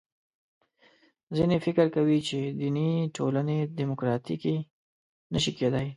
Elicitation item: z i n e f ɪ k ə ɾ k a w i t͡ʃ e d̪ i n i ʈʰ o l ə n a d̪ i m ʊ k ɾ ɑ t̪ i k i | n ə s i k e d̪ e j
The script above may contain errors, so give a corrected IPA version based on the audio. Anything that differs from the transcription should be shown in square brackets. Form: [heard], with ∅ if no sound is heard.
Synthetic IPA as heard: z i n e f ɪ k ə ɾ k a w i t͡ʃ e d̪ i n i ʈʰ o l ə n [e] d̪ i m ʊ k ɾ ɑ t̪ i k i | n ə [ʃ] i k e d̪ [a] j

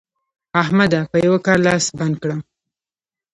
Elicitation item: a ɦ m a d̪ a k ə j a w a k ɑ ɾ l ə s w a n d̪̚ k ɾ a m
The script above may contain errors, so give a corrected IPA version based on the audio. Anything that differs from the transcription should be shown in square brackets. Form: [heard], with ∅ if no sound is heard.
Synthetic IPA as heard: a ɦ m a d̪ a [p] ə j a w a k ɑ ɾ l [ɑ] s [b] a n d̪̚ k [ɽ] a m

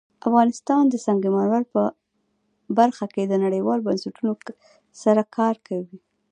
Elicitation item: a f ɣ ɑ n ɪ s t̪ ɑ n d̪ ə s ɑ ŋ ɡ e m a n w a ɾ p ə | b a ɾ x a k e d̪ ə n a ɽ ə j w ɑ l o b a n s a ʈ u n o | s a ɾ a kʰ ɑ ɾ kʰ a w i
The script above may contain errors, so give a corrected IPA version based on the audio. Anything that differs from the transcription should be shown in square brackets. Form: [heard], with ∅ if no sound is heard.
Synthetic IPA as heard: a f ɣ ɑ n ɪ s t̪ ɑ n d̪ ə s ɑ ŋ ɡ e m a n w a ɾ p ə | b a ɾ x a k e d̪ ə n a ɽ ə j w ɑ l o b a n s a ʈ u n o | s a ɾ a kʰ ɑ ɾ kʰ a w i

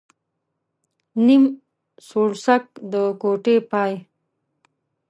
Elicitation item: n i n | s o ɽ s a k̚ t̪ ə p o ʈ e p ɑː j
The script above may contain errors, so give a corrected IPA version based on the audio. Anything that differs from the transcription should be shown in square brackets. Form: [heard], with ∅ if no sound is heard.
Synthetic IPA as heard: n i [m] | s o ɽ s a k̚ [d̪] ə [k] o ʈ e p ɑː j

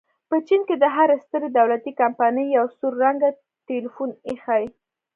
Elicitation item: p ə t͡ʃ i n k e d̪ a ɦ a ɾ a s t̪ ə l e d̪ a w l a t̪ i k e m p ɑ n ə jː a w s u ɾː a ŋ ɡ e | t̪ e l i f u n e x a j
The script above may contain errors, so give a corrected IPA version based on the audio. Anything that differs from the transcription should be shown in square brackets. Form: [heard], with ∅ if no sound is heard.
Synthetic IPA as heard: p ə t͡ʃ i n k e d̪ [ə] ɦ a ɾ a s t̪ ə [ɾ] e d̪ a w l a t̪ i k [a] m p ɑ n ə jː a w s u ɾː a ŋ ɡ [a] | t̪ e l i f u n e x a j

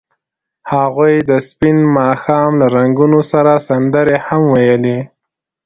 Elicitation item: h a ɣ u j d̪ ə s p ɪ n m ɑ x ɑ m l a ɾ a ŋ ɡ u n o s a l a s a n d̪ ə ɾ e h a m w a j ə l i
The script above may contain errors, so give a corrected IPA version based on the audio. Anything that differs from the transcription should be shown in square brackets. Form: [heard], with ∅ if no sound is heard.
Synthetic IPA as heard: h a ɣ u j d̪ ə s p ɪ n m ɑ x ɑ m l a ɾ a ŋ ɡ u n o s a [ɾ] a s a n d̪ ə ɾ e h a m w a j ə l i

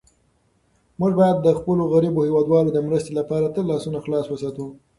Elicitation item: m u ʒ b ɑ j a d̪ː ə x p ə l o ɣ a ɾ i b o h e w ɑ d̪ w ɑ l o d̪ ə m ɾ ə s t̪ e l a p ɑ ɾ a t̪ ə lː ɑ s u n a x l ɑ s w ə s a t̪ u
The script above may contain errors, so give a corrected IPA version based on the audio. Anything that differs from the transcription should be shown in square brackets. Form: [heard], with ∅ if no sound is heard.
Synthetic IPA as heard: m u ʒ b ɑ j a d̪ː ə x p ə l o ɣ a ɾ i b o h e w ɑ d̪ w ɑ l o d̪ ə m ɾ ə s t̪ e l a p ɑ ɾ a t̪ ə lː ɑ s u n a x l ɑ s w ə s [ɑ] t̪ u

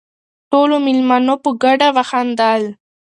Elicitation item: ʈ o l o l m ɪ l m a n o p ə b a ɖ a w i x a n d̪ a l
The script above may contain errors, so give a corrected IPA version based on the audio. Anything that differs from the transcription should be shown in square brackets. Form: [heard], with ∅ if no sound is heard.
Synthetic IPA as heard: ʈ o l o [∅] m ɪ l m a n o p ə [ɡ] a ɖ a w [a] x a n d̪ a l

